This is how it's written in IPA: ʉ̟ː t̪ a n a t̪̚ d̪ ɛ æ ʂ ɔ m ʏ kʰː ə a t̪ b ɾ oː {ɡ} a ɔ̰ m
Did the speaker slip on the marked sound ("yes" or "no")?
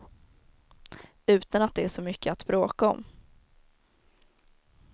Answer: yes